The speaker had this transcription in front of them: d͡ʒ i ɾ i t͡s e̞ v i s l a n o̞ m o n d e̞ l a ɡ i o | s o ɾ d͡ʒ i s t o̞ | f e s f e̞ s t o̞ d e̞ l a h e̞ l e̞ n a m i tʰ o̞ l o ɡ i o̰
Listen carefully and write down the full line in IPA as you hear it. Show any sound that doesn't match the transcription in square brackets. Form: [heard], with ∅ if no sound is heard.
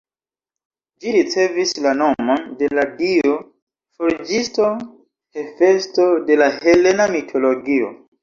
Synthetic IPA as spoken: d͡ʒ i ɾ i t͡s e̞ v i s l a n o̞ m o n d e̞ l a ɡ i o | [f] o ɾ d͡ʒ i s t o̞ | [h] e [∅] f e̞ s t o̞ d e̞ l a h e̞ l e̞ n a m i tʰ o̞ l o ɡ i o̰